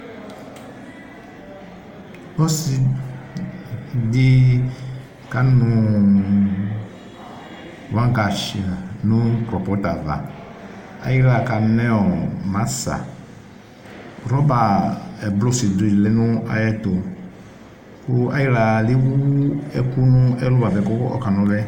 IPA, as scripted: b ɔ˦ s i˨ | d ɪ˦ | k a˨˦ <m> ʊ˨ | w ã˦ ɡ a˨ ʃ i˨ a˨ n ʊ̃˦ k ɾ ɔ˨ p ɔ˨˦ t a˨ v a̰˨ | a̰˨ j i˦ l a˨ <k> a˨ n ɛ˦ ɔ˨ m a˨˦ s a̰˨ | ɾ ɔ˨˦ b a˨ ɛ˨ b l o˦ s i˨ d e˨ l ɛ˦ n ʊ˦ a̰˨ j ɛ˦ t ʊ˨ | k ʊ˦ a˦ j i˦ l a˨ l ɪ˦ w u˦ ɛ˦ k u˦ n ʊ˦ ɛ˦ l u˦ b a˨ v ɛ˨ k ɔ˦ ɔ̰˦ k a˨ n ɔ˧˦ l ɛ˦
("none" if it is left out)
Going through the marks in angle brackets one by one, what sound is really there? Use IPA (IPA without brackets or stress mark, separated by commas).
n, k